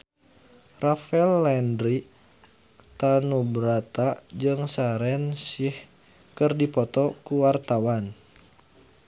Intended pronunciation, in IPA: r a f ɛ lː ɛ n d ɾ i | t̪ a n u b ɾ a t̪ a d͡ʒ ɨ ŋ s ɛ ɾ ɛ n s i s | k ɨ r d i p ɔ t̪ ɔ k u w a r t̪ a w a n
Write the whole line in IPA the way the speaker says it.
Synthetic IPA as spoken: r a f ɛ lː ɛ n d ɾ i | t̪ a n u b ɾ a t̪ a d͡ʒ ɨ ŋ s a ɾ ɛ n s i h | k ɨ r d i p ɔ t̪ ɔ k u w a r t̪ a w a n